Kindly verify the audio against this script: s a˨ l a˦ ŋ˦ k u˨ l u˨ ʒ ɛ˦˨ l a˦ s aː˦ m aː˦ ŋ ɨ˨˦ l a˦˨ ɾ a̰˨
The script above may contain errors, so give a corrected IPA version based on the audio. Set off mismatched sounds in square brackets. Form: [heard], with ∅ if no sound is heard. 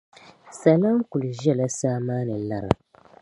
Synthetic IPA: s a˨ l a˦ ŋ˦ k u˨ l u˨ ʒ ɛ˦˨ l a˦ s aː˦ m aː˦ [n] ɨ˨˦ l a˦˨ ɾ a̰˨